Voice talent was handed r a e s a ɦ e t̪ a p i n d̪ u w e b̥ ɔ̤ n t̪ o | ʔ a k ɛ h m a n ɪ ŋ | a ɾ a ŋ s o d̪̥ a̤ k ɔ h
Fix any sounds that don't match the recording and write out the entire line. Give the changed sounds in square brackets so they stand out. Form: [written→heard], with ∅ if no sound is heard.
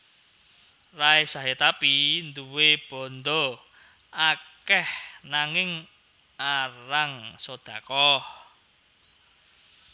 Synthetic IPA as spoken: r a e s a ɦ e t̪ a p i n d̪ u w e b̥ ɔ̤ n [t̪→d̪] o | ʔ a k ɛ h [m→n] a [n→ŋ] ɪ ŋ | a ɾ a ŋ s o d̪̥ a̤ k ɔ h